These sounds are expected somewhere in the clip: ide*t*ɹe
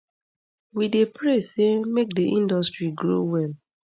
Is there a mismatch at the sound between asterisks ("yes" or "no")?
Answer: yes